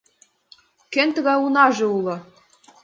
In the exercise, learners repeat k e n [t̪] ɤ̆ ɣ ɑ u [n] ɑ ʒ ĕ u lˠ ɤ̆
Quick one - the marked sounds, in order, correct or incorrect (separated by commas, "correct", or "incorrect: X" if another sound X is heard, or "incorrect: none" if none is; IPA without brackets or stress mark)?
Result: correct, correct